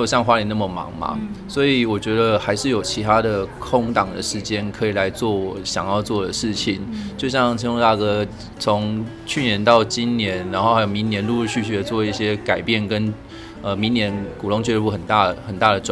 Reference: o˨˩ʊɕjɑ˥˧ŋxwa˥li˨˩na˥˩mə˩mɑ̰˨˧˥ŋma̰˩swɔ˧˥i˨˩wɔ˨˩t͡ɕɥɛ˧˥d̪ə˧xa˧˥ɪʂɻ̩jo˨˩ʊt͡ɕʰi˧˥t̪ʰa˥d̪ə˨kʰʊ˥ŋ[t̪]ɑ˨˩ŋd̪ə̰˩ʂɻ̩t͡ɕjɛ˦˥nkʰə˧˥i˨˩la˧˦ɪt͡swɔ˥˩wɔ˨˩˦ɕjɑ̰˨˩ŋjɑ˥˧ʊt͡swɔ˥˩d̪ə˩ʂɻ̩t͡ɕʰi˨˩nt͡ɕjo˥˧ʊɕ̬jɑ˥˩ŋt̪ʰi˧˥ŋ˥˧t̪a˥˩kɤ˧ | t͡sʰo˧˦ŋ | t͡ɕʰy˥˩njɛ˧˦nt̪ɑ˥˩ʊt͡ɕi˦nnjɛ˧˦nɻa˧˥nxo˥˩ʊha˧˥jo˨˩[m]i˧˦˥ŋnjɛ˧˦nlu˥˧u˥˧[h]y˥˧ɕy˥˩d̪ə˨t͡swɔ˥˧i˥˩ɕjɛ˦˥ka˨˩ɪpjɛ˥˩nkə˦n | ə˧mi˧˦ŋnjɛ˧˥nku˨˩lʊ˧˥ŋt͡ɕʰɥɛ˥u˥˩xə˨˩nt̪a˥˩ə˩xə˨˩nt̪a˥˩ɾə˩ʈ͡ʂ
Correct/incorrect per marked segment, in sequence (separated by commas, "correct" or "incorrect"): correct, correct, incorrect